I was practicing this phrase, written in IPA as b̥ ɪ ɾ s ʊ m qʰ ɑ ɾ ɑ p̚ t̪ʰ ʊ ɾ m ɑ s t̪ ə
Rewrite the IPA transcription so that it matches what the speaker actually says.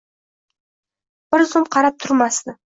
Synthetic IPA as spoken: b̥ ɪ ɾ z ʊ m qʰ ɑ ɾ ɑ p̚ t̪ʰ ʊ ɾ m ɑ s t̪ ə